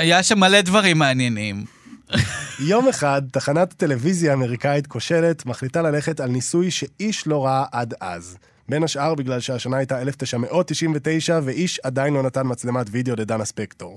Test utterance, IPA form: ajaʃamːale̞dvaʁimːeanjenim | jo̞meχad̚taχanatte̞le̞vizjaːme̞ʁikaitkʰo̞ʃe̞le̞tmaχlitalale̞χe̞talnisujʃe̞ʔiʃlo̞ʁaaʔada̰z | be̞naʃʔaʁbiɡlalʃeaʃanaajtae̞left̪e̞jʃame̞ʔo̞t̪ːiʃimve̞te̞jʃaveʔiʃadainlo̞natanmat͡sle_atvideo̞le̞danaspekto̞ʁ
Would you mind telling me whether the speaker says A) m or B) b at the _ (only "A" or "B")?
A